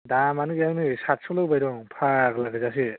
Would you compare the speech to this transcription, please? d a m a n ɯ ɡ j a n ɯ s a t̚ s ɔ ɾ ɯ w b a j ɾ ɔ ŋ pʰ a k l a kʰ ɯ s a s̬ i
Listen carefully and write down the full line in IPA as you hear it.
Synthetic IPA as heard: d a m a n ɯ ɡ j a n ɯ s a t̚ s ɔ l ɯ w b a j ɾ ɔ ŋ pʰ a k l a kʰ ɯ z a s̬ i